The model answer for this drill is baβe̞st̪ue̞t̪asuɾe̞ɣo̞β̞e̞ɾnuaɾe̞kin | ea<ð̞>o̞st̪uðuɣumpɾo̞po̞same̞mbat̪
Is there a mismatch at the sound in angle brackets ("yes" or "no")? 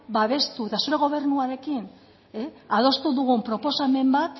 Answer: no